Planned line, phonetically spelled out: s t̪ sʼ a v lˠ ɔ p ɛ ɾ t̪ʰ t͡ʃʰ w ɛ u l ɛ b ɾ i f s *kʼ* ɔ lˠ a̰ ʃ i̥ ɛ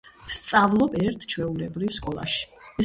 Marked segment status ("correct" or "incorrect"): correct